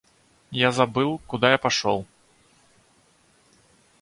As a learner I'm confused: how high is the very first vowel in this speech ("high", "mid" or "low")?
low